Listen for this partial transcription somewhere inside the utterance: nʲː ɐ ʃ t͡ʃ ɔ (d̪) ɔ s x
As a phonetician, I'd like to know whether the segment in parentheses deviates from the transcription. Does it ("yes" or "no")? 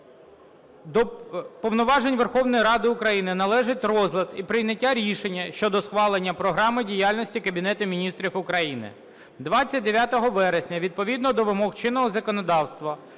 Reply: no